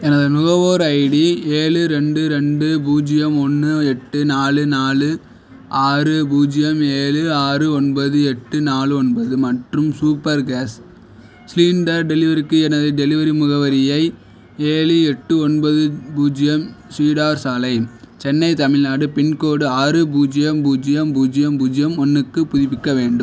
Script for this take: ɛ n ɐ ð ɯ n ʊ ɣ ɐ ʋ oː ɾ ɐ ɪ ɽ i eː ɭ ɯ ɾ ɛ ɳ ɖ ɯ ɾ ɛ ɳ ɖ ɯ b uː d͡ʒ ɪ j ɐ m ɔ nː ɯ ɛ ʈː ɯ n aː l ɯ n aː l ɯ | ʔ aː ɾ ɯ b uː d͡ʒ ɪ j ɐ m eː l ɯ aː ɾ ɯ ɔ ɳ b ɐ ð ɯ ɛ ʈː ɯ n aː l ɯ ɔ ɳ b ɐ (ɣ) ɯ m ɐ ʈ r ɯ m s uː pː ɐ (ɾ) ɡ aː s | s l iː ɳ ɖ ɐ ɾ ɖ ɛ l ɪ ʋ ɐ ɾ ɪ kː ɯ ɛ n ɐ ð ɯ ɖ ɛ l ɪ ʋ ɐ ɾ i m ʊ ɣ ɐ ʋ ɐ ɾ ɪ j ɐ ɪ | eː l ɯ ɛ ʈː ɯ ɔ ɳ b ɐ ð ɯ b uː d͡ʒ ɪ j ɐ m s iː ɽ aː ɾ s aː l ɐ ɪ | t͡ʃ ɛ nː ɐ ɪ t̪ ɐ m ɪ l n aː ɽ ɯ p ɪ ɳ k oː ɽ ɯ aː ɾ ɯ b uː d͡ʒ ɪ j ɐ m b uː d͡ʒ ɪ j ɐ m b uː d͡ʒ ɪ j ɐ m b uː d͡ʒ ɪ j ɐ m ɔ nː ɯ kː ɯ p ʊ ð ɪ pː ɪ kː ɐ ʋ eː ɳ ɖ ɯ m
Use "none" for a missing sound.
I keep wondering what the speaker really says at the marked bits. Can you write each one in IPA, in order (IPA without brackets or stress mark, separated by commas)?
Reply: ð, ɾ